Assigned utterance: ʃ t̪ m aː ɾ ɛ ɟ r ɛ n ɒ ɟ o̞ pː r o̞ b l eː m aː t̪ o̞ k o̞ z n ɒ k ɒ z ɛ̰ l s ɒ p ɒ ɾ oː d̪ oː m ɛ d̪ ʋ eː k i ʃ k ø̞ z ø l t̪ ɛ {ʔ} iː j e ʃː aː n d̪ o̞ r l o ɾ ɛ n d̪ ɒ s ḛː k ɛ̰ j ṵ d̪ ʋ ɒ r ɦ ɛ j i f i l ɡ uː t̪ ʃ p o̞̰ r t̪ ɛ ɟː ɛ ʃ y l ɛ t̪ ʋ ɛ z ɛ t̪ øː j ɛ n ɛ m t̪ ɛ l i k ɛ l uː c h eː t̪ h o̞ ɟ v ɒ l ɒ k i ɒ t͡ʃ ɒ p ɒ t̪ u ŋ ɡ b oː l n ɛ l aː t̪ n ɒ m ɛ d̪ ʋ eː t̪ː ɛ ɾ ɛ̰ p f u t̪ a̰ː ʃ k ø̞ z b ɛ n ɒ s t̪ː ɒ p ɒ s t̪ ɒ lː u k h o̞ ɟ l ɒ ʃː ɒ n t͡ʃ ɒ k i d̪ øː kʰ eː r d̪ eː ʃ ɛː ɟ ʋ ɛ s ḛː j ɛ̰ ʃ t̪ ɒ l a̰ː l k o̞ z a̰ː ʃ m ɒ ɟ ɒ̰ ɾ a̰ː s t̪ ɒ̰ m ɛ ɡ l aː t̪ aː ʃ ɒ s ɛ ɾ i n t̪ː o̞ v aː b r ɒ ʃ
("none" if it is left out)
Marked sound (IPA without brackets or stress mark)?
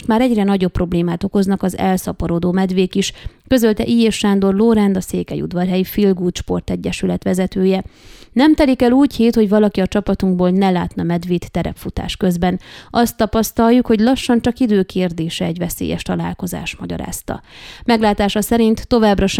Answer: ʔ